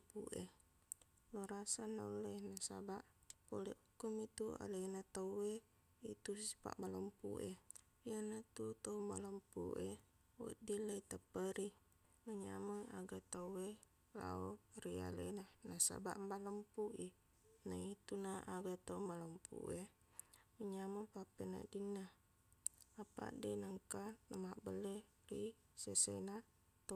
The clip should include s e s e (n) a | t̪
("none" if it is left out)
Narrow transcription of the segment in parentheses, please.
n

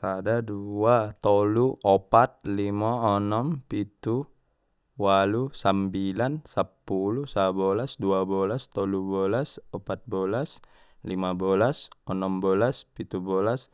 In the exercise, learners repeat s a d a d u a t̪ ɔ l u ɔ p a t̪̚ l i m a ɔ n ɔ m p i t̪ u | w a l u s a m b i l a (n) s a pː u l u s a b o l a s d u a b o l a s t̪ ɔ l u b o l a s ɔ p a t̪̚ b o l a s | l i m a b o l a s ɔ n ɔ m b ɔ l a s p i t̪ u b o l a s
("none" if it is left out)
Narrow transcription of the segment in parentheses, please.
n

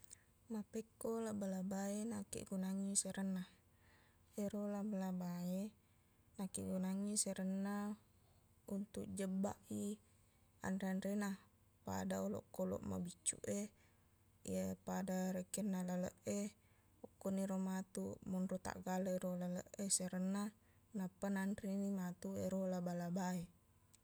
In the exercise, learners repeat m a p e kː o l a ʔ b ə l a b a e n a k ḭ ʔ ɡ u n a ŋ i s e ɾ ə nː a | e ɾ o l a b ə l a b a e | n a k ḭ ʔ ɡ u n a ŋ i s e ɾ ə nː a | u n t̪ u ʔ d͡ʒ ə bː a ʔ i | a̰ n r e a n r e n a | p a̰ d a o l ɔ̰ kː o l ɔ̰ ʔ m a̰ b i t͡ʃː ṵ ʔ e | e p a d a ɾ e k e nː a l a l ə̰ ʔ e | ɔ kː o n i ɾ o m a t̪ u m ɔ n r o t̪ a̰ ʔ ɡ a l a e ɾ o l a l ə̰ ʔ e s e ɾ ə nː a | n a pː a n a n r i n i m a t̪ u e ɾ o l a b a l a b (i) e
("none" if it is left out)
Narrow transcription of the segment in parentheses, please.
a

